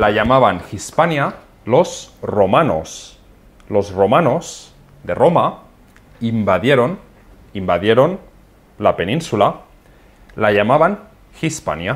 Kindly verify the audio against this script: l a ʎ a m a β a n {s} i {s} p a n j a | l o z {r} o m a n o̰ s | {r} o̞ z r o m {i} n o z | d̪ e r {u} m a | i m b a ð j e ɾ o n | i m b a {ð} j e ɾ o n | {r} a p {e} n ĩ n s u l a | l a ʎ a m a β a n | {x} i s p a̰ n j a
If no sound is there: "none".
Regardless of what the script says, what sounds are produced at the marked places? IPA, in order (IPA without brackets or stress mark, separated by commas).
x, s, r, l, a, o, ð, l, e, x